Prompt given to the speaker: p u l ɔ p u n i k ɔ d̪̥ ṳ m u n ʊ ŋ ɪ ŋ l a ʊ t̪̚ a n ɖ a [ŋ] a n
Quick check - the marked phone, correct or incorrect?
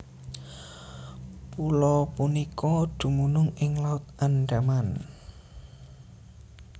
incorrect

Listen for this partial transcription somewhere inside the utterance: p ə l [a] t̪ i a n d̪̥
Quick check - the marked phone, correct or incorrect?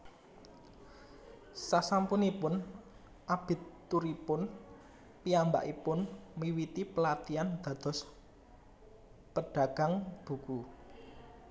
correct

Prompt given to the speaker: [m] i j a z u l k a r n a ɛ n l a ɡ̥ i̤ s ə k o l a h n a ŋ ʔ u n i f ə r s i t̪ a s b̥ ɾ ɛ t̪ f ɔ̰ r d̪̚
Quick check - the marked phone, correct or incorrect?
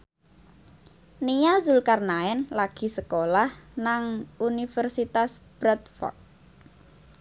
incorrect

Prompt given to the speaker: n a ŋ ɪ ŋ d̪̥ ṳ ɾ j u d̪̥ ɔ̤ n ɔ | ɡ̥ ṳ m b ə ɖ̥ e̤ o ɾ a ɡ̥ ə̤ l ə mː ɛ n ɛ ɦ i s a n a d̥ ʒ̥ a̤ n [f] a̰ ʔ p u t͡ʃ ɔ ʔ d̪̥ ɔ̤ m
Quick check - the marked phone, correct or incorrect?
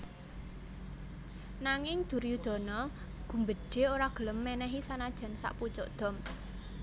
incorrect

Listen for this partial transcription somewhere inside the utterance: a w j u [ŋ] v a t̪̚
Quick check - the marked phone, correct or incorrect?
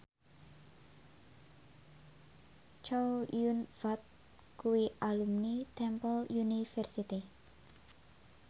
incorrect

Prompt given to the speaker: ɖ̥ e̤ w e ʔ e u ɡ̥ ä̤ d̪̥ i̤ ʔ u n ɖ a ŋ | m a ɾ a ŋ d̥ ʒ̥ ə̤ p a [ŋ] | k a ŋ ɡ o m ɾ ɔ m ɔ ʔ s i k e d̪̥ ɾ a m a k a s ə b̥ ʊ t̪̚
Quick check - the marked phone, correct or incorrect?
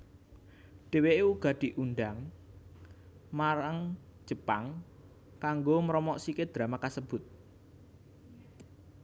correct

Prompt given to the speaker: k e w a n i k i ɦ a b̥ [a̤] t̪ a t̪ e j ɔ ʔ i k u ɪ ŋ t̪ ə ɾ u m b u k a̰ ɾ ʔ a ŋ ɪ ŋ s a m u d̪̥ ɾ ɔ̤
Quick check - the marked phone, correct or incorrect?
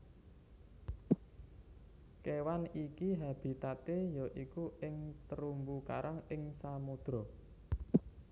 incorrect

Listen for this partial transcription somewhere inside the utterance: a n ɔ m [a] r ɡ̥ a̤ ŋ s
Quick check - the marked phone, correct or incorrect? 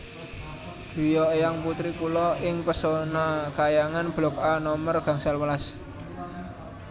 incorrect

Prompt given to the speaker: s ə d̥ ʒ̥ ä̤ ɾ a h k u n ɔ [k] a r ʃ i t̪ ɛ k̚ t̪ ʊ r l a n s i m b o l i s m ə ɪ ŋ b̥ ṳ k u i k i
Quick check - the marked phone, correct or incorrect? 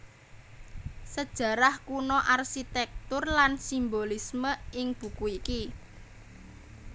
incorrect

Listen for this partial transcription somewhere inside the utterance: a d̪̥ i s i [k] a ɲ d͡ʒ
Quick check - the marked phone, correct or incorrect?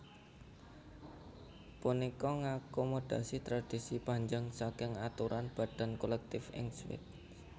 incorrect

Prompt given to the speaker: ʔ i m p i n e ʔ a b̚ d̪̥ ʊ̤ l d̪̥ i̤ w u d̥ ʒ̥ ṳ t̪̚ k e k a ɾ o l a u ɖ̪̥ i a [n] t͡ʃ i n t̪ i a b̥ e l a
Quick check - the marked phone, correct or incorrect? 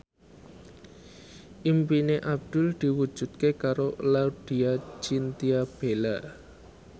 incorrect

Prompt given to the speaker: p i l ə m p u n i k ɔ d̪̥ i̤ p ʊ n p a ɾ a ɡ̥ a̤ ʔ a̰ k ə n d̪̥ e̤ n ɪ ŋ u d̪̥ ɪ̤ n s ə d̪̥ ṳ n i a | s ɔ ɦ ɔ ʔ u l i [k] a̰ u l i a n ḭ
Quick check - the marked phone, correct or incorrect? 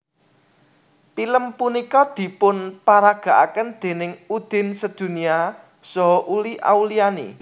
incorrect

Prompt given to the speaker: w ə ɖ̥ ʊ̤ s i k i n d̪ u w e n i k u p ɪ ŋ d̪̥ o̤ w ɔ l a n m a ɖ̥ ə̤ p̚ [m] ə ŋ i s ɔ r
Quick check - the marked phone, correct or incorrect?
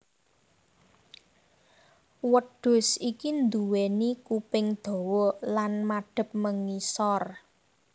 correct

